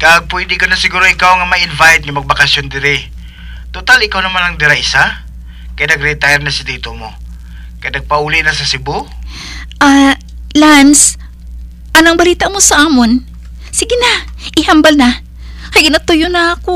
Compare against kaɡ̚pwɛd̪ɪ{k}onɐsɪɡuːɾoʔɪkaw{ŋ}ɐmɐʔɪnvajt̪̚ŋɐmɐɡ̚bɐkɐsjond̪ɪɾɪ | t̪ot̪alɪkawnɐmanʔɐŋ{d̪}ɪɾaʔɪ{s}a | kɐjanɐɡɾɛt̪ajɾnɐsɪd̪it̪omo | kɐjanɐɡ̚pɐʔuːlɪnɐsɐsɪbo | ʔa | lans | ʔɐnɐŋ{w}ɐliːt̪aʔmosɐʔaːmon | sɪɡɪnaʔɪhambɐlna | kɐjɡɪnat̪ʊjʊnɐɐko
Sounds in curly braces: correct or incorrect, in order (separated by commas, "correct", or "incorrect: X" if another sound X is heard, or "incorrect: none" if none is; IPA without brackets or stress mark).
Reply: correct, correct, correct, correct, incorrect: b